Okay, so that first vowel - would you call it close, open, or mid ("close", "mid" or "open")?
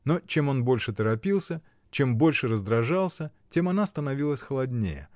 mid